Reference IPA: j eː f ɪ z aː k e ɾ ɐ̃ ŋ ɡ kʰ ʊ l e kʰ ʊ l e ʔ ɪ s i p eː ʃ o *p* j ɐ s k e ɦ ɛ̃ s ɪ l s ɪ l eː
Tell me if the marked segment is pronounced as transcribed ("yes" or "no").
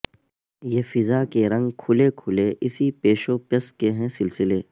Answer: yes